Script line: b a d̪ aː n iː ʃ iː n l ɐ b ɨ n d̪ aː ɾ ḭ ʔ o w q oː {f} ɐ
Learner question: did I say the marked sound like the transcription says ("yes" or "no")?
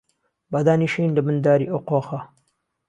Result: no